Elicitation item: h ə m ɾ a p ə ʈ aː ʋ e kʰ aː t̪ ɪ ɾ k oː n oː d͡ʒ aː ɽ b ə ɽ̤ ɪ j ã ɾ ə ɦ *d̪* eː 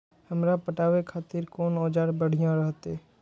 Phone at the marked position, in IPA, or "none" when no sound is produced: t̪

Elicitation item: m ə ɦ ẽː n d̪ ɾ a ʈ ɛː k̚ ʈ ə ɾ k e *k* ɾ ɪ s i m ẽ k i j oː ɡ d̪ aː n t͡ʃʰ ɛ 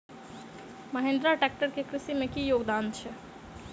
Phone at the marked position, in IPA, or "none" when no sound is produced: k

